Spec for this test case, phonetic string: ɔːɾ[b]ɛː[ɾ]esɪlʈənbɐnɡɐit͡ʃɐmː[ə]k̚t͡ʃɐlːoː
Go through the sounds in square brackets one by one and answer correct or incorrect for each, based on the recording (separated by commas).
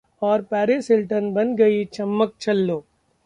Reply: incorrect, correct, correct